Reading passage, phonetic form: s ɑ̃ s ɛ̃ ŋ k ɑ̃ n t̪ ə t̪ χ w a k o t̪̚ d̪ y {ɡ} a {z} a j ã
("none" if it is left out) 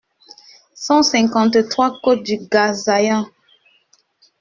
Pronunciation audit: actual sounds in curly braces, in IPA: ɡ, z

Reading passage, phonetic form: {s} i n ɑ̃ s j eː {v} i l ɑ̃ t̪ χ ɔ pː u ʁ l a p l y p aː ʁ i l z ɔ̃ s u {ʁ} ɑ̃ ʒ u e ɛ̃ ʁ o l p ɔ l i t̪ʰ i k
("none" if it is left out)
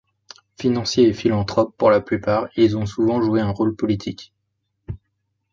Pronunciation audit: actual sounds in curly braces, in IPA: f, f, v

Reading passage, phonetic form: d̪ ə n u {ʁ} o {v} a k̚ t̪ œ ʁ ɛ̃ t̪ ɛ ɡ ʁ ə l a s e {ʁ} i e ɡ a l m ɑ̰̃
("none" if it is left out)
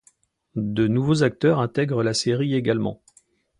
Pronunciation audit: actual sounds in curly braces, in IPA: v, z, ʁ

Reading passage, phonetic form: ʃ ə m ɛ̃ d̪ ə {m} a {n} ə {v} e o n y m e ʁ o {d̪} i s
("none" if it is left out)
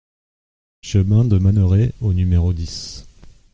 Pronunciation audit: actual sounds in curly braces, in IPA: m, n, ʁ, d̪

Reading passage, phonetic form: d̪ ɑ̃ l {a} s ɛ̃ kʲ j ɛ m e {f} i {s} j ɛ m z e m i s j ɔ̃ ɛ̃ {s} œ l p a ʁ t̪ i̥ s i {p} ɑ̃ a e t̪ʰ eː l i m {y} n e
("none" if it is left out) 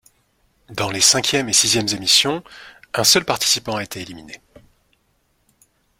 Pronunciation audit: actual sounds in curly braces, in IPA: e, s, z, s, p, i

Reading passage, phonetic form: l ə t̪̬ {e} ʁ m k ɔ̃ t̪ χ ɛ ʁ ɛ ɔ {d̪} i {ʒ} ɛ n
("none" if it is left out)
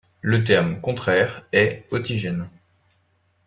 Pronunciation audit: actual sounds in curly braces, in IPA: ɛ, t̪, ʒ

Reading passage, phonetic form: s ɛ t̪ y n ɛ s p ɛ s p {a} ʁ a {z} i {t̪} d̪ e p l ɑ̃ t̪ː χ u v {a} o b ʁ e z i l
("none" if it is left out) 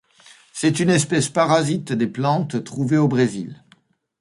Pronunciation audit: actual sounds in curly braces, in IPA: a, z, t̪, e

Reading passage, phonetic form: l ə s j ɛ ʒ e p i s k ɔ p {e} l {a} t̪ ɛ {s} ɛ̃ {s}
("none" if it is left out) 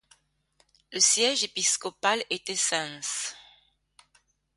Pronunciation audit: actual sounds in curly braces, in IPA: a, e, s, s

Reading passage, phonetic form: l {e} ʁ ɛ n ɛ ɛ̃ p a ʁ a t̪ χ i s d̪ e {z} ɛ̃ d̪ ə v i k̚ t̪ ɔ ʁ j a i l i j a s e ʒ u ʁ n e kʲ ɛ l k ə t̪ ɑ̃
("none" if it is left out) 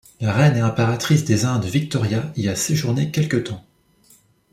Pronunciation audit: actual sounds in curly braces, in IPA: a, z

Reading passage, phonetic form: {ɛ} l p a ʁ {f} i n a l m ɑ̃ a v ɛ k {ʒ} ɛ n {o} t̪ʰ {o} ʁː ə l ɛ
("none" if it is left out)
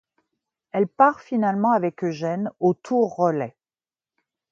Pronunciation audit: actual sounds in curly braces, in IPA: ɛ, f, ʒ, o, u

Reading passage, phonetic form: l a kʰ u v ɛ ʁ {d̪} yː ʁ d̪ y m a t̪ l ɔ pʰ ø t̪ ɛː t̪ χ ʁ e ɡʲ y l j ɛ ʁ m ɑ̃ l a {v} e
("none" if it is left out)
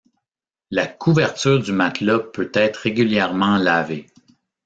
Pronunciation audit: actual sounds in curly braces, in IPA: t̪, v

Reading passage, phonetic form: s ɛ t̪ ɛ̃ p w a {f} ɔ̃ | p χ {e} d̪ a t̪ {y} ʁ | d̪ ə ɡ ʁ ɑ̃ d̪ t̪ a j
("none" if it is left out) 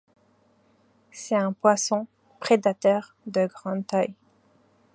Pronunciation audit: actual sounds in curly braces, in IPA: s, e, œ

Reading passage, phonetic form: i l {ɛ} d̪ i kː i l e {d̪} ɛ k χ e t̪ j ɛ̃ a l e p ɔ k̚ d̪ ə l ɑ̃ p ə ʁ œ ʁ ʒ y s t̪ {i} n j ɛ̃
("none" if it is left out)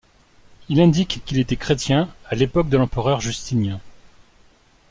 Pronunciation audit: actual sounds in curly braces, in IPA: ɛ̃, t̪, i

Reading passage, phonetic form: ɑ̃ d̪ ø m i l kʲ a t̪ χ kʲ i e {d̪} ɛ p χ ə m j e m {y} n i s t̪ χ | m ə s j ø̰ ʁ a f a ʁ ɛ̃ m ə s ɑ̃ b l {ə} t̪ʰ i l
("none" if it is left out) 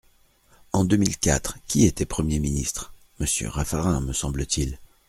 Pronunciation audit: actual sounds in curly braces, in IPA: t̪, i, ə

